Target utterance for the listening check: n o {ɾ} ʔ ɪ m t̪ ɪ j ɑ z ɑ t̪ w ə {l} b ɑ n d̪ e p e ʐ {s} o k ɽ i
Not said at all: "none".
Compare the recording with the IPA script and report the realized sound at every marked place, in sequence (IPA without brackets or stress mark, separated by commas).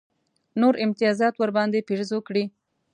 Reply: ɾ, ɾ, z